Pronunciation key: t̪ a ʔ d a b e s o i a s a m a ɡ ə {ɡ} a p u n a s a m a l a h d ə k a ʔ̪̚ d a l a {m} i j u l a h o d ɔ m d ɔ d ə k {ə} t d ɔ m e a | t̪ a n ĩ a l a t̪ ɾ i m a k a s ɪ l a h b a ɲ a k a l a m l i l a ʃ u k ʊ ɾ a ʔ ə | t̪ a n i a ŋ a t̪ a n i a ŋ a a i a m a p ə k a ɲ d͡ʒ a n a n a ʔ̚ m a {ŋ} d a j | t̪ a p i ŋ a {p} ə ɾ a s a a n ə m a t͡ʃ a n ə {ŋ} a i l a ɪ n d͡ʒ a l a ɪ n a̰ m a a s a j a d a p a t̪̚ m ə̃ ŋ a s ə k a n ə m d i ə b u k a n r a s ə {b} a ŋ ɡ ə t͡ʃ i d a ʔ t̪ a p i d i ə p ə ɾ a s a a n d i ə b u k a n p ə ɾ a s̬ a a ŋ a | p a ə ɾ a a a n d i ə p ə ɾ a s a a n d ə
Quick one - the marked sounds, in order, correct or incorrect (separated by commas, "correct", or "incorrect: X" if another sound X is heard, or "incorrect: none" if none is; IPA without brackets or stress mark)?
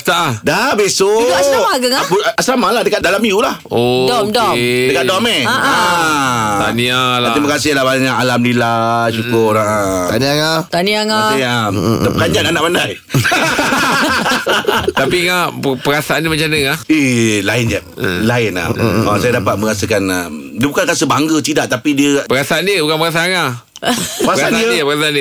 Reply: incorrect: ŋ, correct, incorrect: a, incorrect: n, correct, correct, correct